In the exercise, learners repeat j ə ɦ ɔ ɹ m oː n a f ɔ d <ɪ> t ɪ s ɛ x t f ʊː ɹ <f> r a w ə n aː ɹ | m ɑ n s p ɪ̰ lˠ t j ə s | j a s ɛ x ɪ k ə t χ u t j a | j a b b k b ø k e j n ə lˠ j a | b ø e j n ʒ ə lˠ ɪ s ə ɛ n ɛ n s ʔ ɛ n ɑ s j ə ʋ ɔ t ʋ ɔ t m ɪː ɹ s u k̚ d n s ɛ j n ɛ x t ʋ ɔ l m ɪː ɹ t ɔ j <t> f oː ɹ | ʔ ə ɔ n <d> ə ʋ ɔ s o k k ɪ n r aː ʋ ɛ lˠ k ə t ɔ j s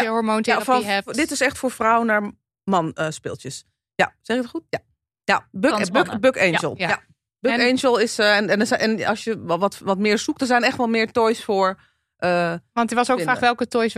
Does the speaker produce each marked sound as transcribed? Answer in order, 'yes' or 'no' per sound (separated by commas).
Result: yes, yes, no, no